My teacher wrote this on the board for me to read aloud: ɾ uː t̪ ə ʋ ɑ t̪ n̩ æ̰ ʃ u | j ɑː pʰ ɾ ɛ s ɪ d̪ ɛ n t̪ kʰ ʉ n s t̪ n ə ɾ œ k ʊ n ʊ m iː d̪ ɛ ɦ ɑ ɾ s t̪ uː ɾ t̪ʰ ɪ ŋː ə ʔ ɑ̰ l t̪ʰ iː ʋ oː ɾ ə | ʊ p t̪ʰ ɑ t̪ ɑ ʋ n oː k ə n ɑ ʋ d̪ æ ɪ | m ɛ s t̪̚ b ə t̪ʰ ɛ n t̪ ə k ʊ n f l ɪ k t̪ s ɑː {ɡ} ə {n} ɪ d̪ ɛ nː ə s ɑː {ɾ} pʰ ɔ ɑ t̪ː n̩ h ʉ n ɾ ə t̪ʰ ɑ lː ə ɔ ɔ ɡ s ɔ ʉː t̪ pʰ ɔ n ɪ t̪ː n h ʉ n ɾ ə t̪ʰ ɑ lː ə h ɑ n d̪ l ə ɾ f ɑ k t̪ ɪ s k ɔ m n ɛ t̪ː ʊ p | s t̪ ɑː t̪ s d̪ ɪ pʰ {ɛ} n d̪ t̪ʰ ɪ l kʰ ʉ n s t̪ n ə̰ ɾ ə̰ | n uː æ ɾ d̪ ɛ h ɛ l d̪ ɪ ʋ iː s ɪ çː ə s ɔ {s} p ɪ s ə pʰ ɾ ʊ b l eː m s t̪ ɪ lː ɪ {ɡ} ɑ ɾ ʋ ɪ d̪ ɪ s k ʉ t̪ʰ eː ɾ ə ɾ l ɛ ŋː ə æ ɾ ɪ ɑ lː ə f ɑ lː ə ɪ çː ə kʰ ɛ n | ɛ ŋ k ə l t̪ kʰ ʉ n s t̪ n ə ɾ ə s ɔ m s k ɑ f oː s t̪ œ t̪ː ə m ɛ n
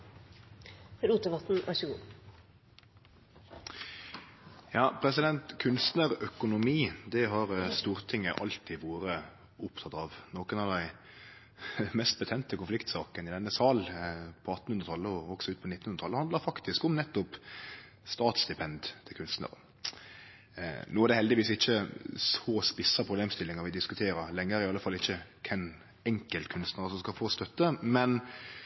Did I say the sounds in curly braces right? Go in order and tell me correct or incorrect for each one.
incorrect: k, correct, incorrect: l, correct, correct, incorrect: ŋ

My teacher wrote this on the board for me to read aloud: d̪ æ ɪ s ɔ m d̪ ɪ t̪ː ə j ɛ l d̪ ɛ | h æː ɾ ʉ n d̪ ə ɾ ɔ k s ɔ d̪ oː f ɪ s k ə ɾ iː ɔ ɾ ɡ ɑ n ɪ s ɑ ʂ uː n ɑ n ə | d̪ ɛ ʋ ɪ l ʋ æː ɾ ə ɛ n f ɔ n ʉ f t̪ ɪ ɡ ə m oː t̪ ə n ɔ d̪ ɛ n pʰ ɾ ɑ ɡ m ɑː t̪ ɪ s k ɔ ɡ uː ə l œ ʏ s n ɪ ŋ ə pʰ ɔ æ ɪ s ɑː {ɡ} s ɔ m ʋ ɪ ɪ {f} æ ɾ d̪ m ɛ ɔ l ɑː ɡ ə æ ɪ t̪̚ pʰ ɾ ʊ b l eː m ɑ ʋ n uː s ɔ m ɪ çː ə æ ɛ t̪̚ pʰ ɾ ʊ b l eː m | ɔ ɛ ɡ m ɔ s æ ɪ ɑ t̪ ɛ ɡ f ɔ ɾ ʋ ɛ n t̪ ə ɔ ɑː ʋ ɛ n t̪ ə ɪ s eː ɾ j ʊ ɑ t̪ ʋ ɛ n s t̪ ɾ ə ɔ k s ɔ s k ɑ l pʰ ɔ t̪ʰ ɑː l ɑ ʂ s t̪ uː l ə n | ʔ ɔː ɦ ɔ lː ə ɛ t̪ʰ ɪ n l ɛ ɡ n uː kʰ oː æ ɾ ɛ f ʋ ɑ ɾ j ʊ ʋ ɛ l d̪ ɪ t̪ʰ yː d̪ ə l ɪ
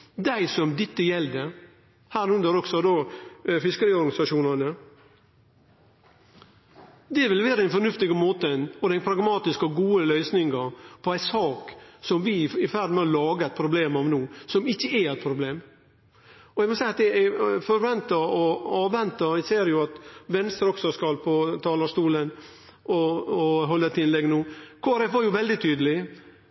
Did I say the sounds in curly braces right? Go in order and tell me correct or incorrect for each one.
incorrect: k, correct

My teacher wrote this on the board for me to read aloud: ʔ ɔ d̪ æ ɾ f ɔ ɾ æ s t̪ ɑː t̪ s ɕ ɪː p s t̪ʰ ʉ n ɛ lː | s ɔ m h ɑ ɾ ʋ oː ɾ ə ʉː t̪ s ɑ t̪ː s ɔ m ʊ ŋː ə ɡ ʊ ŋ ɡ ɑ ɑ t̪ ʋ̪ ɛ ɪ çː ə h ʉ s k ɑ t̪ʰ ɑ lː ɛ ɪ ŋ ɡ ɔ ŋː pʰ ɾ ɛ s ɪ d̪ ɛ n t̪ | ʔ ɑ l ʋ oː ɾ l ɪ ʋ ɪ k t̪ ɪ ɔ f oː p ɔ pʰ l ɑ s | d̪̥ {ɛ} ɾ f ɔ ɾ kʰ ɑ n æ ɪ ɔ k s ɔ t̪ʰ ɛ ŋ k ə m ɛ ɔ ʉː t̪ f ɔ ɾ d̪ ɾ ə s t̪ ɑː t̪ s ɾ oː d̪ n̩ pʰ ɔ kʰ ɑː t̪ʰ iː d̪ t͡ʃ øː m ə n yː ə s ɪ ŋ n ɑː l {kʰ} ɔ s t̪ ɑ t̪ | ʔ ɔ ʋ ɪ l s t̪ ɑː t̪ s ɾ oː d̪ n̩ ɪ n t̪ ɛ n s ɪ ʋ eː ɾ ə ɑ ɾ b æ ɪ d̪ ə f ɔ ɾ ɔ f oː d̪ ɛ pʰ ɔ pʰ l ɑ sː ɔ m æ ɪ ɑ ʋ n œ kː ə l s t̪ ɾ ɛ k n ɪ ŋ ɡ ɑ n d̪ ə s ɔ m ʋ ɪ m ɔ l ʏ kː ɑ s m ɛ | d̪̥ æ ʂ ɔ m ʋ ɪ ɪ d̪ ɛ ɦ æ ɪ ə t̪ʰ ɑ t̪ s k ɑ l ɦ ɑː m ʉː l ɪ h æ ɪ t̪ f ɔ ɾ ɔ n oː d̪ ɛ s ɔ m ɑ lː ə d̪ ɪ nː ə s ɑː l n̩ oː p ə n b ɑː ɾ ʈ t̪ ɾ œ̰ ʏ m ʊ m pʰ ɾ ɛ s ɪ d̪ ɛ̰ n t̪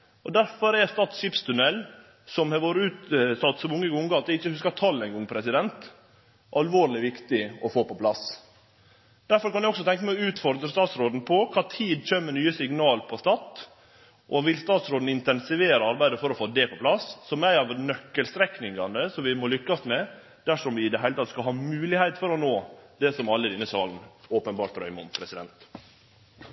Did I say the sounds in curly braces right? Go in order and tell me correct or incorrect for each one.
incorrect: æ, incorrect: pʰ

